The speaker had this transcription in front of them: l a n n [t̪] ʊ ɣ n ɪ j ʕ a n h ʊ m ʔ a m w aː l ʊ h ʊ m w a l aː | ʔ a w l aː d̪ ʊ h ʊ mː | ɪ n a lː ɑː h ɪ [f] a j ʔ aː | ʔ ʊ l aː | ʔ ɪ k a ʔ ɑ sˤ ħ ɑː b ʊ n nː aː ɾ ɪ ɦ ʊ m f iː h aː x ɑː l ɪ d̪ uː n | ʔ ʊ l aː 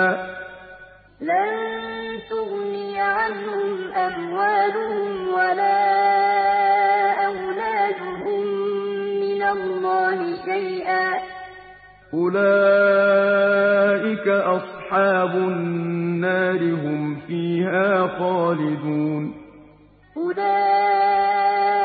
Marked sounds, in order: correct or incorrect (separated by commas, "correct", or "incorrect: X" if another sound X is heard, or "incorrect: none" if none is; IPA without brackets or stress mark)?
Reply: correct, incorrect: ʃ